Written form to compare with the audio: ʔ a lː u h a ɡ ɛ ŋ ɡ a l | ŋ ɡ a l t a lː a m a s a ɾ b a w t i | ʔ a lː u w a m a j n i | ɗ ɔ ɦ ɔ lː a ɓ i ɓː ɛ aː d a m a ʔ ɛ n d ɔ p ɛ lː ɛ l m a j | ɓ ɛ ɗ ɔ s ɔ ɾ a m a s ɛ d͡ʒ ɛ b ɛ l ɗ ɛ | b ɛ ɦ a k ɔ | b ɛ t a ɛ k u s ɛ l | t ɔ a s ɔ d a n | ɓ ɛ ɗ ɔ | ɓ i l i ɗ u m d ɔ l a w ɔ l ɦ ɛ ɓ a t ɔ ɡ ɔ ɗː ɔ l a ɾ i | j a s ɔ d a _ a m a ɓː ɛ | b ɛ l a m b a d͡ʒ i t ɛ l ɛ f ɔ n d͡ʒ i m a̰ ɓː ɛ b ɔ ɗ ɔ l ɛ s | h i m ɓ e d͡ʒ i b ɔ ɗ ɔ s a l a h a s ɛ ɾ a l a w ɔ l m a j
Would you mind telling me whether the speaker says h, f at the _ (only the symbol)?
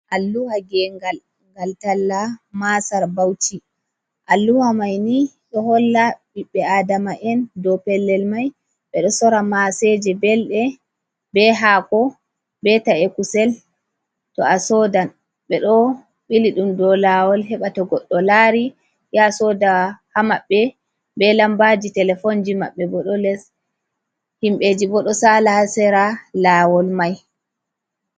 h